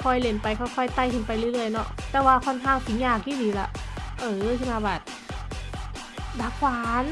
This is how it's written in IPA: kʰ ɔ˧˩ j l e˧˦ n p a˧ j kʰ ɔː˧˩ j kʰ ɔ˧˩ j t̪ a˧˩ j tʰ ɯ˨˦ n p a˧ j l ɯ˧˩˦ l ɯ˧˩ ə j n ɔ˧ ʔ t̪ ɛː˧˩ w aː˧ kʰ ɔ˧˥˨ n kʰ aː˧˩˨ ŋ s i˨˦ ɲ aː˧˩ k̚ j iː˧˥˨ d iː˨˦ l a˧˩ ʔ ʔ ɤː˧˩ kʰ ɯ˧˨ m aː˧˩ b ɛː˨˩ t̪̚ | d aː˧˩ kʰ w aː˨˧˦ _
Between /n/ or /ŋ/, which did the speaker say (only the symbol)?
n